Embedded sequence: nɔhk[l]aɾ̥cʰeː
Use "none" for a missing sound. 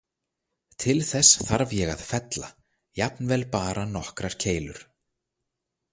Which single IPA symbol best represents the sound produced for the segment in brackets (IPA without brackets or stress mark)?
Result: ɾ